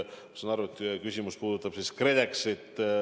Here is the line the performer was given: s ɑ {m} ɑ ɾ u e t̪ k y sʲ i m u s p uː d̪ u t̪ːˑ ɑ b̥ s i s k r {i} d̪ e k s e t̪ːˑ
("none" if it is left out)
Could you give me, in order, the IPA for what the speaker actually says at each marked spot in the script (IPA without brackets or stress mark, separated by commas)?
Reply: n, e